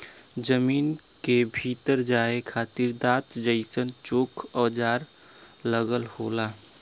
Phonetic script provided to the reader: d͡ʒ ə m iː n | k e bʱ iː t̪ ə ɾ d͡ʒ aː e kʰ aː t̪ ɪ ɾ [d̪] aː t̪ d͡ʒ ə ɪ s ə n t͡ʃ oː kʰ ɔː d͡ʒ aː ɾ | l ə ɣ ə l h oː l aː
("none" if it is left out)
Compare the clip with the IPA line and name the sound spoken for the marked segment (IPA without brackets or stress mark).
d̪